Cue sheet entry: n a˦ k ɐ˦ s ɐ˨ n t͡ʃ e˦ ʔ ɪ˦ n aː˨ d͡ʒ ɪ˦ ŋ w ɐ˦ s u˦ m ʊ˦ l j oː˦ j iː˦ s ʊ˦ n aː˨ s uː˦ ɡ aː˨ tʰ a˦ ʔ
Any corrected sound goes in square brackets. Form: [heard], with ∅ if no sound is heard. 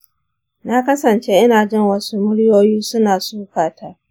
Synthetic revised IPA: n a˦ k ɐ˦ s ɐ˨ n t͡ʃ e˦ ʔ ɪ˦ n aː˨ d͡ʒ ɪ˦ ŋ w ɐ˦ s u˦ m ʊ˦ [ɽ] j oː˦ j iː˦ s ʊ˦ n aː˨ s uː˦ [k] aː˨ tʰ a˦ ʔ